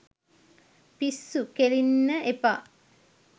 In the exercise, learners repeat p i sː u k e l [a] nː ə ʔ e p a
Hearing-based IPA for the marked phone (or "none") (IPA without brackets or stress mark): i